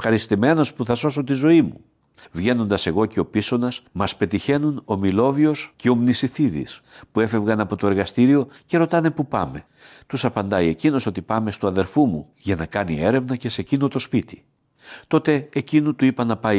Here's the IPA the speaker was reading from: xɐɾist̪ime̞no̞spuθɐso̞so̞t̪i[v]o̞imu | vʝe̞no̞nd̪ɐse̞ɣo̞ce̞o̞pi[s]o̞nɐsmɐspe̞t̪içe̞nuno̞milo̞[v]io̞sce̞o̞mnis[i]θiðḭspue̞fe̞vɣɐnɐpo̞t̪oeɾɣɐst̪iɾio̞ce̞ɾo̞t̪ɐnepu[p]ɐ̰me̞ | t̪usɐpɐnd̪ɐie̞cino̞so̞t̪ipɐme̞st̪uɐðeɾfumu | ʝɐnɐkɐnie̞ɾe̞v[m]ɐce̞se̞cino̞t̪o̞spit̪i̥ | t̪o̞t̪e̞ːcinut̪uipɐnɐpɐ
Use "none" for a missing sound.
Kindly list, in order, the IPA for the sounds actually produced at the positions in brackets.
z, s, v, i, p, n

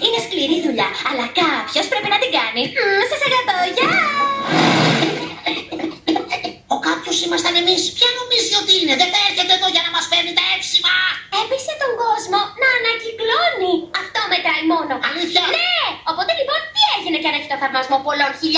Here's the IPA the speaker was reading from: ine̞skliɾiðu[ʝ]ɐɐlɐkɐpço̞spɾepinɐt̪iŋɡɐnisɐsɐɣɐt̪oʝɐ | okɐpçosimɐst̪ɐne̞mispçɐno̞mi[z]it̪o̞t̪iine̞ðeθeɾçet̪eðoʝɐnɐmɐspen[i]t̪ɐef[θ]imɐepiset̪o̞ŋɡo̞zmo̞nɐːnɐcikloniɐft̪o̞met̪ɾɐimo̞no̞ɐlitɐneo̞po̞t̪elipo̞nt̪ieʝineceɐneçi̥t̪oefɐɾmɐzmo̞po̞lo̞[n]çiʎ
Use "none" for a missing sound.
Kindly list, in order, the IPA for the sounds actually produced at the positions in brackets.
ʎ, z, i, s, n

